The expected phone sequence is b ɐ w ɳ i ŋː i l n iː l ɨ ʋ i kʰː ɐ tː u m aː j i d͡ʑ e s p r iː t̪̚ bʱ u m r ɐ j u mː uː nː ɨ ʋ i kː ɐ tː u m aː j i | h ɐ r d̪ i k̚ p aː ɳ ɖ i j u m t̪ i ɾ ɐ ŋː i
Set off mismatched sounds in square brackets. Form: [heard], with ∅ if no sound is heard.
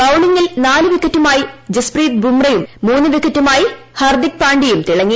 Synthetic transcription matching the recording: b ɐ w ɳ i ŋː i l n [aː] l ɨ ʋ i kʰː ɐ tː u m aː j i d͡ʑ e s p r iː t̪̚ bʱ u m r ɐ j u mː uː nː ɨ ʋ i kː ɐ tː u m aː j i | h ɐ r d̪ i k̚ p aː ɳ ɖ i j u m t̪ i [ɭ] ɐ ŋː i